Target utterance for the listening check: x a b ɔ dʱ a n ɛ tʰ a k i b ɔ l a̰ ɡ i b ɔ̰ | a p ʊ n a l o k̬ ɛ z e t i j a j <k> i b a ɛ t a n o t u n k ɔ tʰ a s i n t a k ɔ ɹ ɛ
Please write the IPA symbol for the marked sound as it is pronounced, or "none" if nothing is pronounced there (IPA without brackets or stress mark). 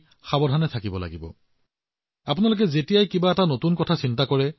k